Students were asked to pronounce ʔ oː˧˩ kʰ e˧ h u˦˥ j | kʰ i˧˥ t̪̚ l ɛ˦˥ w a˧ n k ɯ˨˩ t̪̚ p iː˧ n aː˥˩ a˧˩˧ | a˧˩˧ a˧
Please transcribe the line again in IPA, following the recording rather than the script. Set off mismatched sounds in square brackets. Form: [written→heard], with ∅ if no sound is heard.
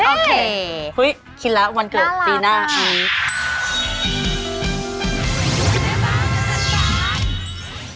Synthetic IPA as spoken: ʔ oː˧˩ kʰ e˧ h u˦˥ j | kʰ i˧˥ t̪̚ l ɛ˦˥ w a˧ n k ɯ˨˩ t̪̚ p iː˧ n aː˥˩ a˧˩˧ | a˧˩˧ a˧

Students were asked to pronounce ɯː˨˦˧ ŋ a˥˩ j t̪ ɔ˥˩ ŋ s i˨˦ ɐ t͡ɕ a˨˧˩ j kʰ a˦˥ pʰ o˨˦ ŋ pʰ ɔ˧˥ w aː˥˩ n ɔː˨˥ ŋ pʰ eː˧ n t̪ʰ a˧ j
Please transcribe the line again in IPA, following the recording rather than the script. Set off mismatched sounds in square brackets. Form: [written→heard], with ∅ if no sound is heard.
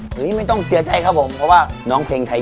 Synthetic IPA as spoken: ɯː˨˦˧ [ŋ→m] a˥˩ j t̪ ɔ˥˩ ŋ s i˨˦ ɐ t͡ɕ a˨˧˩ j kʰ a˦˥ pʰ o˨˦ [ŋ→m] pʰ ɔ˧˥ w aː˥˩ n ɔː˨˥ ŋ pʰ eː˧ [n→ŋ] t̪ʰ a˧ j

